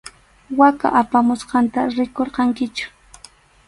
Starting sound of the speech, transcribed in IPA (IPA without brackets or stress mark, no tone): w